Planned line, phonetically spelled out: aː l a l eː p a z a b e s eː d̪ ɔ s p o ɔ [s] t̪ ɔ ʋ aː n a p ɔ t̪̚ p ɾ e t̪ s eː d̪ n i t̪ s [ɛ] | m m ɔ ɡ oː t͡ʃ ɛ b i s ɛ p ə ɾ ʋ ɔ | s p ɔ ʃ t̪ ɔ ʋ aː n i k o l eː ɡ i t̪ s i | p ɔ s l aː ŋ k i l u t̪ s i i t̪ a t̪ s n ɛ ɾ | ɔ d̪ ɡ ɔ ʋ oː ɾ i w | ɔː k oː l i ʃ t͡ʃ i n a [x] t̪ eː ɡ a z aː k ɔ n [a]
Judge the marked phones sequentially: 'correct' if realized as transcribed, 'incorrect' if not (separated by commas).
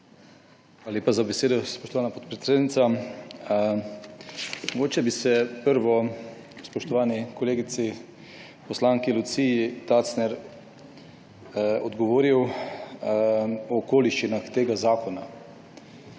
incorrect, incorrect, correct, correct